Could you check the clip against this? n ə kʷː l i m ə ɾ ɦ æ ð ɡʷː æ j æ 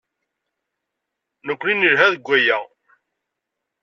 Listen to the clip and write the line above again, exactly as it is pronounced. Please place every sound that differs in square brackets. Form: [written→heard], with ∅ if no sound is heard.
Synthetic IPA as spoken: n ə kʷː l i [m→n] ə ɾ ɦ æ ð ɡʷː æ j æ